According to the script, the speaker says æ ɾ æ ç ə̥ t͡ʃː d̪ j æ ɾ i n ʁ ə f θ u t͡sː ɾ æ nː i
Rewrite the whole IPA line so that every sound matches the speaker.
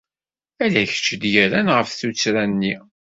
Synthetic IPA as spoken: æ l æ ç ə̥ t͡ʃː d̪ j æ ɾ æ n ʁ ə f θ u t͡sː ɾ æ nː i